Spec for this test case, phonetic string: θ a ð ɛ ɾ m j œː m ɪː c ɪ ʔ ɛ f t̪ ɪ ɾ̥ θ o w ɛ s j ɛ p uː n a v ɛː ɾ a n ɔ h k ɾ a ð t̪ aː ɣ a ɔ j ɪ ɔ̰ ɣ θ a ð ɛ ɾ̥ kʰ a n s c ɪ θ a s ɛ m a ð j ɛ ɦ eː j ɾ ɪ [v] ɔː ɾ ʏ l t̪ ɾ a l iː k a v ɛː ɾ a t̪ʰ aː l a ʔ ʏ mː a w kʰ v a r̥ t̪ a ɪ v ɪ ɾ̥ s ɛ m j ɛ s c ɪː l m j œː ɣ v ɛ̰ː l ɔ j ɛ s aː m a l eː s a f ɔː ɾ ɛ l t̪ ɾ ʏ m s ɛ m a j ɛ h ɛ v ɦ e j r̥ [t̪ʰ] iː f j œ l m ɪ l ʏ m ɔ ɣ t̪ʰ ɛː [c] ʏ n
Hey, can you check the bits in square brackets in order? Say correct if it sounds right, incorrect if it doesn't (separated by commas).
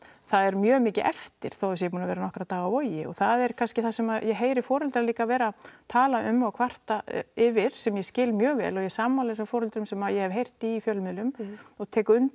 incorrect, incorrect, incorrect